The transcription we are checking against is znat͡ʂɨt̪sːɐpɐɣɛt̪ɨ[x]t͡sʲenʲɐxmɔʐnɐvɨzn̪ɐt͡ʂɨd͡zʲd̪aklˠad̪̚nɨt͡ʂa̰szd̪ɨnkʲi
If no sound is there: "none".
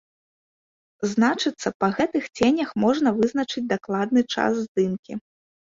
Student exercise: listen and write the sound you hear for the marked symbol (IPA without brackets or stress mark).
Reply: x